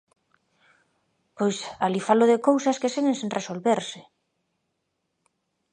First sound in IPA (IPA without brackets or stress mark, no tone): p